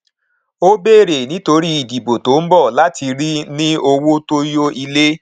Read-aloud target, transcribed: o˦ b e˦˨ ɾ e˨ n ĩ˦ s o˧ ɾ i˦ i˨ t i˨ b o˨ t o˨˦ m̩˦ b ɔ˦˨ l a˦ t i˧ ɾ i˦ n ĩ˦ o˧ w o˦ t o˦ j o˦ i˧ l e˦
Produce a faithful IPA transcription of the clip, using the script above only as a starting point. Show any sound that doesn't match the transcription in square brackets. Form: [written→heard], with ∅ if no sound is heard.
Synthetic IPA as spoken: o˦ b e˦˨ ɾ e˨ n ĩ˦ [s→t] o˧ ɾ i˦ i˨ [t→d] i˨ b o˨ t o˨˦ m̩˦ b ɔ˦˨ l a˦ t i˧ ɾ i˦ n ĩ˦ o˧ w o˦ t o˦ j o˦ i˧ l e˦